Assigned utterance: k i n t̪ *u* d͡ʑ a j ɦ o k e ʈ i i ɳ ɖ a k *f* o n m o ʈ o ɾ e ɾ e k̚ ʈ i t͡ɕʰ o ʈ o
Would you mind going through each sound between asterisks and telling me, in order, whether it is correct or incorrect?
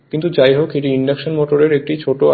correct, incorrect

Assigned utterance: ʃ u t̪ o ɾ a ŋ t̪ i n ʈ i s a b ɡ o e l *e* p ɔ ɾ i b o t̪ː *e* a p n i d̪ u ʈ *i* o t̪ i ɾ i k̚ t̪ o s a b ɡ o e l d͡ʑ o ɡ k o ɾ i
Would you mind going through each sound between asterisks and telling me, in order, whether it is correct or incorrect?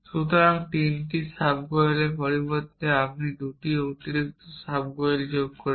correct, correct, correct

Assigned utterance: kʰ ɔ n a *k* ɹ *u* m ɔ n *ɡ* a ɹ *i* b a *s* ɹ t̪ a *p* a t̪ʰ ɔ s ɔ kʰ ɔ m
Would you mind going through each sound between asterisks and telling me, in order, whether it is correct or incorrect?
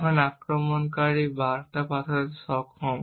correct, incorrect, incorrect, correct, incorrect, correct

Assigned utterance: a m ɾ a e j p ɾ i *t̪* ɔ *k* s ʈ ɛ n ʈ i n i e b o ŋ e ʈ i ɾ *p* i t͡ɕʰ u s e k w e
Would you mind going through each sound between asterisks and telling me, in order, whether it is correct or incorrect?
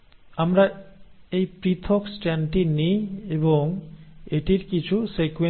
incorrect, correct, incorrect

